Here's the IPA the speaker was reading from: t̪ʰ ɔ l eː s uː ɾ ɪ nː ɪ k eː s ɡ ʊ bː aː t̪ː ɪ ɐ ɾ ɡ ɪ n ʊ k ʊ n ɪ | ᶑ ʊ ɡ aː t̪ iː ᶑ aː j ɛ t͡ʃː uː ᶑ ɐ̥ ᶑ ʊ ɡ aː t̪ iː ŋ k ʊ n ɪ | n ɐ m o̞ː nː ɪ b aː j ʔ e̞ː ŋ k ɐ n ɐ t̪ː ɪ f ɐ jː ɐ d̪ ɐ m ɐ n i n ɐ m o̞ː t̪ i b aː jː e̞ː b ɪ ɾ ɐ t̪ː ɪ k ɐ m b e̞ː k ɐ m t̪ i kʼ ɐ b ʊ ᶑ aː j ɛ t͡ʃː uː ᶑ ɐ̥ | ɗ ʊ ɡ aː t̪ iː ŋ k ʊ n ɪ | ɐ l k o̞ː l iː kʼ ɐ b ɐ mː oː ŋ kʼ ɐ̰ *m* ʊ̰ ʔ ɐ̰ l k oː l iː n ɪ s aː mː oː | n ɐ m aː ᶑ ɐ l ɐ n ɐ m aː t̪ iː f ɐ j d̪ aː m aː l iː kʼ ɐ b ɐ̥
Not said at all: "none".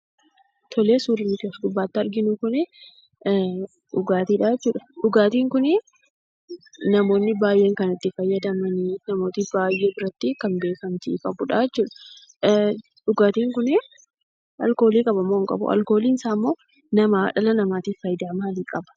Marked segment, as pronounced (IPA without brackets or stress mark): b